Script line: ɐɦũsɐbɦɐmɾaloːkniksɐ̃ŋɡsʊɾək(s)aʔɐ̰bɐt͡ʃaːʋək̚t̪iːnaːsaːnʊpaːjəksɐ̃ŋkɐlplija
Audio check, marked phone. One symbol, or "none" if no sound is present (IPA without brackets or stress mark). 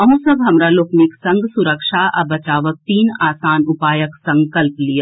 ʃ